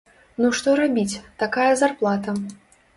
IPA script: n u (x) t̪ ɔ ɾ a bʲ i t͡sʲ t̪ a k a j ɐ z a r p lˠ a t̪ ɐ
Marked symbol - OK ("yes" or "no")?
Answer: no